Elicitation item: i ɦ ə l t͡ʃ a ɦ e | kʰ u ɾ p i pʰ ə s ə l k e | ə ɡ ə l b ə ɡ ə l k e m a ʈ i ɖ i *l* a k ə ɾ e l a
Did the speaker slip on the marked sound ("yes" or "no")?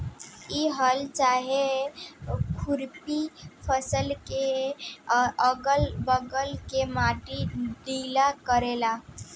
no